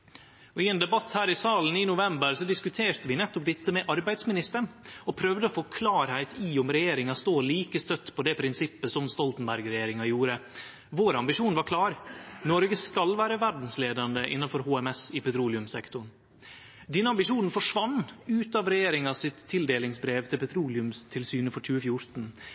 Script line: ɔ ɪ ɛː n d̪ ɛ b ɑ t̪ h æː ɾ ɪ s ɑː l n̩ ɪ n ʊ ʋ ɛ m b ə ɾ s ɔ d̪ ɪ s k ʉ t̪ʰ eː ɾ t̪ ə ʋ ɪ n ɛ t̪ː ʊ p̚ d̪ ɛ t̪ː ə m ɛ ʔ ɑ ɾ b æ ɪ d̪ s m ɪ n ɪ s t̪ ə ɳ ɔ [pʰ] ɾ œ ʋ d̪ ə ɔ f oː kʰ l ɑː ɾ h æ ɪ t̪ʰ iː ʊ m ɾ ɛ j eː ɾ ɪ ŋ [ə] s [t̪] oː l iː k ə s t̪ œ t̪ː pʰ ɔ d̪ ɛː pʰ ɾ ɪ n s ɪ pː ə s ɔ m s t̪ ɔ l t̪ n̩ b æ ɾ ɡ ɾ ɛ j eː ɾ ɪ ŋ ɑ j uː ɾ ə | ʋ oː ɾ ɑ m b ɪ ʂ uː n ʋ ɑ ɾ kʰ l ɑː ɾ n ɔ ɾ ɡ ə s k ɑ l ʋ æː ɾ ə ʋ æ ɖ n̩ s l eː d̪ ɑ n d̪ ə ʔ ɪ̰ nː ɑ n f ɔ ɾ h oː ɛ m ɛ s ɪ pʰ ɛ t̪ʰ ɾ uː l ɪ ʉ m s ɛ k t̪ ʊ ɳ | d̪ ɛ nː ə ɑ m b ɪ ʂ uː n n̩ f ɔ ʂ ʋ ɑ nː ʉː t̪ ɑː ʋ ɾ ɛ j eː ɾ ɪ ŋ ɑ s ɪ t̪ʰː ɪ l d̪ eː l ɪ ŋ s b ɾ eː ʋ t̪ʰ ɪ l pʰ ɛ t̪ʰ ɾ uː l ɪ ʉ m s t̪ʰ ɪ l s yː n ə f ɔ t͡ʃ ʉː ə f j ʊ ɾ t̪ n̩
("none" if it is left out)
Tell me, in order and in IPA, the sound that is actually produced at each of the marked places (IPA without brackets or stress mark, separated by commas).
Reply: pʰ, ɑ, t̪